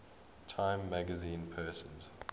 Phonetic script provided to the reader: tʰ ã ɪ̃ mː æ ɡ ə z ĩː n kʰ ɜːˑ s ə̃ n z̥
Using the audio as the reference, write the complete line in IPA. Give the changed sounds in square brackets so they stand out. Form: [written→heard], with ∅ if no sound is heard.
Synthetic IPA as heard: tʰ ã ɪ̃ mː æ ɡ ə z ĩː n [kʰ→pʰ] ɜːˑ s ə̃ n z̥